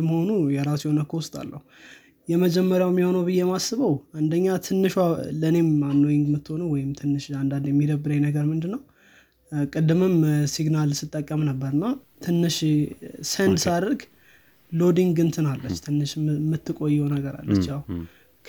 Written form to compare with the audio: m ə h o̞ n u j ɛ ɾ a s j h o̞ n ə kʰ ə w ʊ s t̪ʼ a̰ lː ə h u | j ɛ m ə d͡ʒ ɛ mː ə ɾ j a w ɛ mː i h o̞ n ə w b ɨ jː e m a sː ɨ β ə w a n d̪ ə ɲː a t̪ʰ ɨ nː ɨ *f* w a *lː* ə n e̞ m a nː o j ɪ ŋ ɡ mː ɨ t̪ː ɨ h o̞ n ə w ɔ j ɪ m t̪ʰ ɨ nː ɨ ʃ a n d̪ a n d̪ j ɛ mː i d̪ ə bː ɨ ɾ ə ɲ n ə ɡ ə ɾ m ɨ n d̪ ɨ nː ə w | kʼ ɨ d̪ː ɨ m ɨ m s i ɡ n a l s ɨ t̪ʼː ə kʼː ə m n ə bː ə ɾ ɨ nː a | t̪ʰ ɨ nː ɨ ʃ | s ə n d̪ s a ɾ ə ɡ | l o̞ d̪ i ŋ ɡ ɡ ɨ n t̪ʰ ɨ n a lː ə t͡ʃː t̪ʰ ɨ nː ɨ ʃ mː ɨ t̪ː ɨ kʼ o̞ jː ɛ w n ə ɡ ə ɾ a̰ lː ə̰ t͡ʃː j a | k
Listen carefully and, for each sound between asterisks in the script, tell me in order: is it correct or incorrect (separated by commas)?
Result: incorrect, incorrect